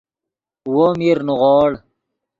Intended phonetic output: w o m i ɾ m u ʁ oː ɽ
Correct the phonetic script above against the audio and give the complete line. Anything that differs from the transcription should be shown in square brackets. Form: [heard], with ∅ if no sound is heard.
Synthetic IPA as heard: w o m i ɾ [n] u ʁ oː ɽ

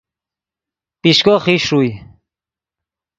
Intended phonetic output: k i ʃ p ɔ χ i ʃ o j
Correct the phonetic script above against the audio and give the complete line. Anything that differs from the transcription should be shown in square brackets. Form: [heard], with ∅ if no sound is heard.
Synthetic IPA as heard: [p] i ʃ [k] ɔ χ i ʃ [u] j

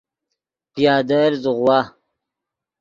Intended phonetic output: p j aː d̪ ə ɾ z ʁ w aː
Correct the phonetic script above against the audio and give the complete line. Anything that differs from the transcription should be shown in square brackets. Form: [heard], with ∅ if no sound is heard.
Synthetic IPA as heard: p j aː d̪ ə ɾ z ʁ w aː

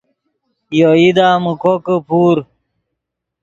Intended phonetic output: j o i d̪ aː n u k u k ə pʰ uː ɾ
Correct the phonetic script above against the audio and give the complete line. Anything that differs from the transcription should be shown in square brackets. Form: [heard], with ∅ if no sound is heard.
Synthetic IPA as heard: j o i d̪ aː [m] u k [o] k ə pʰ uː ɾ

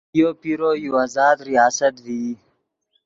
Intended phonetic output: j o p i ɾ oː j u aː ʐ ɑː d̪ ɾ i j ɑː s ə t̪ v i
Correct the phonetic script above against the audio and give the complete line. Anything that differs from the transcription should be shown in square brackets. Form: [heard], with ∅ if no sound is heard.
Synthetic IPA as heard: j o p i ɾ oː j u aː [z] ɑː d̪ ɾ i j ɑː s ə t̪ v i

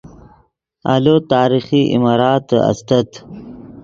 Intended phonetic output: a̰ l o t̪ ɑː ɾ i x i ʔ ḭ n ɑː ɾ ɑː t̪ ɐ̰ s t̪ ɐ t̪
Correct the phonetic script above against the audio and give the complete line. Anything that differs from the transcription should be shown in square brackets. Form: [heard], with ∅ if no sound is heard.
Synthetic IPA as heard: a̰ l o t̪ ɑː ɾ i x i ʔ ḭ [m] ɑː ɾ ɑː t̪ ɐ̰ s t̪ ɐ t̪

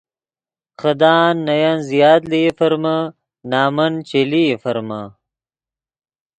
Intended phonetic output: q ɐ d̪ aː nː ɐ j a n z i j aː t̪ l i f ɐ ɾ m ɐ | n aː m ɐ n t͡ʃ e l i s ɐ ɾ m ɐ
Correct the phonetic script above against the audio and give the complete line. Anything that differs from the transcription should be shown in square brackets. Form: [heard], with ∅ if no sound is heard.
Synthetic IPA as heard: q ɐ d̪ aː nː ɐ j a n z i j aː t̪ l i f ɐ ɾ m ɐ | n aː m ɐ n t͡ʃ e l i [f] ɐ ɾ m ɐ

